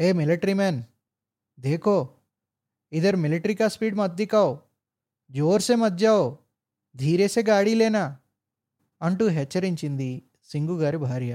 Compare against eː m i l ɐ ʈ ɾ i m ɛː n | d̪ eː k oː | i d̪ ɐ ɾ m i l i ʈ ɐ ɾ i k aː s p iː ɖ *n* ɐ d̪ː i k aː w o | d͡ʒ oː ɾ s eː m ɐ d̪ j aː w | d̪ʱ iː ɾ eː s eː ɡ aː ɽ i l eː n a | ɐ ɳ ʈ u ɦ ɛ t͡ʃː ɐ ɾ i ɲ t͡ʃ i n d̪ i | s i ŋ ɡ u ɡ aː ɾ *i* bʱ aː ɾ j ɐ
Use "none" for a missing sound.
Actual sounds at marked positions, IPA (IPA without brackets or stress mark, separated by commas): m, i